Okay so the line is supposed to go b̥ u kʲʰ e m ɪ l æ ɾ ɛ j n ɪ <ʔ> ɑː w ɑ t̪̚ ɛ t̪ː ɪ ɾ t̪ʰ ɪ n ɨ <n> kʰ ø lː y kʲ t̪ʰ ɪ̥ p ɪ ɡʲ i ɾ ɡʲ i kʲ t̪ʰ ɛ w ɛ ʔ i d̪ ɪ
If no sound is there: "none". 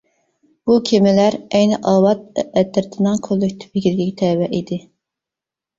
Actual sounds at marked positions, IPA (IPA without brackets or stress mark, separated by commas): ʔ, ŋ